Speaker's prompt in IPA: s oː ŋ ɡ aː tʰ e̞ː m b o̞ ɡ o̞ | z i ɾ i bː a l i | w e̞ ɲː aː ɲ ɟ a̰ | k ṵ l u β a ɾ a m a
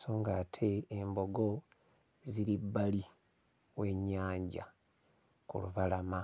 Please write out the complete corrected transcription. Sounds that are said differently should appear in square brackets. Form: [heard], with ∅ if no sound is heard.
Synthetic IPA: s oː ŋ ɡ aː tʰ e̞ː m b o̞ ɡ o̞ | z i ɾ i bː a l i | w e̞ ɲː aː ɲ ɟ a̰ | k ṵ l u β a [l] a m a